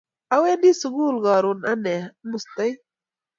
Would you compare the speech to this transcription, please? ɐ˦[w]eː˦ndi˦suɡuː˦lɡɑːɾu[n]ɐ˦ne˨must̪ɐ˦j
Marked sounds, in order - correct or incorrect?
correct, correct

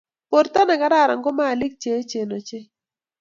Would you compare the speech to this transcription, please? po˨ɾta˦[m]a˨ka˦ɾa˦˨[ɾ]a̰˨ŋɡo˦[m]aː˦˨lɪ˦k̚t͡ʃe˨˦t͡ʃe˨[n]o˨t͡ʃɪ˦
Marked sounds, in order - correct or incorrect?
incorrect: n, correct, correct, correct

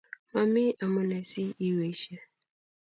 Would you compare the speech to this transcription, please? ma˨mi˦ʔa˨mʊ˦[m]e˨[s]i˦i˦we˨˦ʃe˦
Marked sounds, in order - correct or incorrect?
incorrect: n, correct

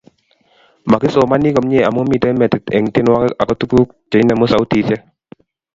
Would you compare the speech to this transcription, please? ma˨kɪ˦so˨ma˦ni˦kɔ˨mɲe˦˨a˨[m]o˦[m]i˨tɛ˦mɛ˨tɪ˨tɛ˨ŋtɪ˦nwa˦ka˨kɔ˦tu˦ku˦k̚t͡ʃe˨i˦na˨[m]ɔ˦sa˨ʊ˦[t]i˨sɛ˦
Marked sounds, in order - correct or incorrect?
correct, correct, correct, correct

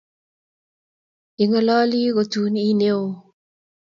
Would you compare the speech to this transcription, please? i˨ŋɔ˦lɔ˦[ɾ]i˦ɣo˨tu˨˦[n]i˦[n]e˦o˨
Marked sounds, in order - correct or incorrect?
incorrect: l, correct, correct

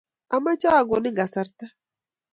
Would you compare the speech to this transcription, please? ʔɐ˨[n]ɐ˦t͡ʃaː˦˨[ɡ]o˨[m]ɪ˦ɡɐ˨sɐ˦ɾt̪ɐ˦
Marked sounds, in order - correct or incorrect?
incorrect: m, correct, incorrect: n

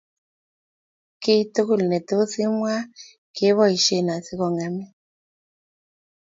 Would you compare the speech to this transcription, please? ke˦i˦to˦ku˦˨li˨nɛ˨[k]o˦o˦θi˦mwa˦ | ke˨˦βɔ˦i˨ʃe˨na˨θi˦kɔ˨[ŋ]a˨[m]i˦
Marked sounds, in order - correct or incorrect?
incorrect: t, correct, correct

